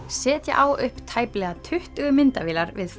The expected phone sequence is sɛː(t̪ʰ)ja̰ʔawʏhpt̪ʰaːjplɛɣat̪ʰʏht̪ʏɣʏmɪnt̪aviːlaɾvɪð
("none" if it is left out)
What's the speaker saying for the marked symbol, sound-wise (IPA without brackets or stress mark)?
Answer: t̪